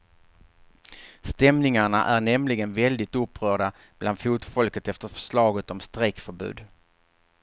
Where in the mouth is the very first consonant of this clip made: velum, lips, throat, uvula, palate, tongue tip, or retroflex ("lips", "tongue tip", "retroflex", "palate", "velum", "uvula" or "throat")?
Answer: tongue tip